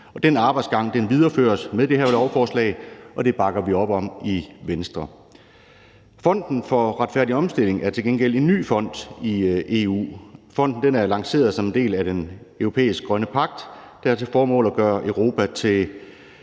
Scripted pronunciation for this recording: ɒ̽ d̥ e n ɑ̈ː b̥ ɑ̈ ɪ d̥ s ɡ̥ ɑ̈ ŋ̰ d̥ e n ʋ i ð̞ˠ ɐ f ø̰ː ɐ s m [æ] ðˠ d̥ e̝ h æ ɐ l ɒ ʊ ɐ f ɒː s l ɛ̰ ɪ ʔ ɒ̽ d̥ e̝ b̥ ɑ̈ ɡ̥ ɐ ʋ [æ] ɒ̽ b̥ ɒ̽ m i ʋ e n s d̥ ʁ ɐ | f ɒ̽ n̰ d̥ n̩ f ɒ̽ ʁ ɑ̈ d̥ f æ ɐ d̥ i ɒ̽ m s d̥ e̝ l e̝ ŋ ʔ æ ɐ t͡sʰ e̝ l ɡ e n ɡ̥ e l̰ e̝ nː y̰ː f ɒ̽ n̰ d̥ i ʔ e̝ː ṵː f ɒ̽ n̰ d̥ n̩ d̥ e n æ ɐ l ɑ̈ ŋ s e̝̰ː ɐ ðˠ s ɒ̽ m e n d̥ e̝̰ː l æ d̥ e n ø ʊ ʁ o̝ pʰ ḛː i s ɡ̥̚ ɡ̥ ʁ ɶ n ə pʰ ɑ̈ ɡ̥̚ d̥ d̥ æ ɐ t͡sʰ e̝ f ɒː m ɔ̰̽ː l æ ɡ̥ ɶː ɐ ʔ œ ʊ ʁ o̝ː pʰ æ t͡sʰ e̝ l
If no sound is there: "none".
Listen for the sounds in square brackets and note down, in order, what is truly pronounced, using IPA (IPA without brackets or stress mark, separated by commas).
e, i